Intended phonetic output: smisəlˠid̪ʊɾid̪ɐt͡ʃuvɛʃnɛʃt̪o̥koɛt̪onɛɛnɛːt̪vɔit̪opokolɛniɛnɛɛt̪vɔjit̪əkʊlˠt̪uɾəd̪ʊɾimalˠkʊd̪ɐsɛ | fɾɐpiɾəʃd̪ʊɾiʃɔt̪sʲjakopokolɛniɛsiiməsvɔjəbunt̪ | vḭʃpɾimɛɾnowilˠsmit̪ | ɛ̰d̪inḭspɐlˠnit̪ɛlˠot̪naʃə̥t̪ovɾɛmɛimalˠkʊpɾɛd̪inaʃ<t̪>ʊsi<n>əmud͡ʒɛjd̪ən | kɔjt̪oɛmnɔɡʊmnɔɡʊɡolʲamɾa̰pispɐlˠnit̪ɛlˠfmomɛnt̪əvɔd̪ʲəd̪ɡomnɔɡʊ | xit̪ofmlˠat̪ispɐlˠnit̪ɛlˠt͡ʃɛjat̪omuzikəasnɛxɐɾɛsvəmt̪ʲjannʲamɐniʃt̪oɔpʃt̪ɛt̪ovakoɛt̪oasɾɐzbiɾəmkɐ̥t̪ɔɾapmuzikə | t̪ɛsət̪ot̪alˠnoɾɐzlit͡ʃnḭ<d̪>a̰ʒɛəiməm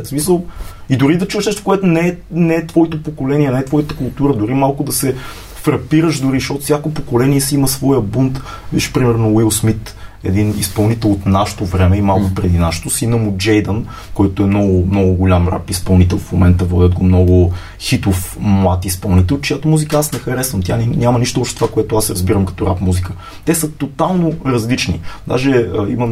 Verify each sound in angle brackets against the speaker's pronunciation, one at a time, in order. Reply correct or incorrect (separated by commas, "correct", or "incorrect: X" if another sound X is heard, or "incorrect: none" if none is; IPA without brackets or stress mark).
correct, correct, correct